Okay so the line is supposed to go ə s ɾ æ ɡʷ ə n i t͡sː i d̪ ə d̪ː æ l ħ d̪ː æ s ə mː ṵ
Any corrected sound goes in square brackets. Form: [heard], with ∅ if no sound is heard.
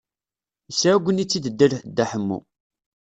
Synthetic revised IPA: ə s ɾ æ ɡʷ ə n i t͡sː i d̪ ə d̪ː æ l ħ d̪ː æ [ħ] ə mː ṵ